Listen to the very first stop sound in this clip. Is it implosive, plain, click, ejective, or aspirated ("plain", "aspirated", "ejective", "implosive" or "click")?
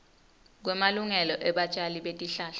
plain